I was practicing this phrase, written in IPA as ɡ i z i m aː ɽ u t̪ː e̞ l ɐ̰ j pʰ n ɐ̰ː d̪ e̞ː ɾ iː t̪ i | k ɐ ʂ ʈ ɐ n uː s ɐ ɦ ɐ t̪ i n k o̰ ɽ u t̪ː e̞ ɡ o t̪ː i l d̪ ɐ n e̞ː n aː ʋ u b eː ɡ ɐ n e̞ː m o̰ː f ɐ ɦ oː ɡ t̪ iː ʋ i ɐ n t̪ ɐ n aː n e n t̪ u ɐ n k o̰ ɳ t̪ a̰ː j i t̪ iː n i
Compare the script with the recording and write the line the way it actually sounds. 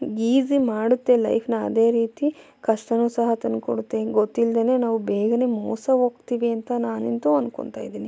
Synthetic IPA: ɡ iː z i m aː ɽ u t̪ː e̞ l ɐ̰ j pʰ n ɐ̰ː d̪ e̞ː ɾ iː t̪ i | k ɐ ʂ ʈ ɐ n uː s ɐ ɦ ɐ t̪ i n k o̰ ɽ u t̪ː e̞ ɡ o t̪ː i l d̪ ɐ n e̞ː n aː ʋ u b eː ɡ ɐ n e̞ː m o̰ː s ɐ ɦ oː ɡ t̪ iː ʋ i ɐ n t̪ ɐ n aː n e n t̪ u ɐ n k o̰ ɳ t̪ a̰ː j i d̪ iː n i